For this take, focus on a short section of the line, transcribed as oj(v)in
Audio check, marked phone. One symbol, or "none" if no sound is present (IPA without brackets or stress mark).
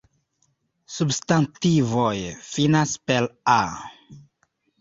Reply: f